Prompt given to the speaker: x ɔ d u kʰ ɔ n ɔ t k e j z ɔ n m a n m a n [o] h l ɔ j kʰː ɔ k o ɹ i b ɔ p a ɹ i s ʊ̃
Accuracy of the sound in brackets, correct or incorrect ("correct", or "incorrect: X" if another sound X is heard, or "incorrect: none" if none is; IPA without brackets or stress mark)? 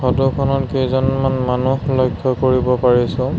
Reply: incorrect: u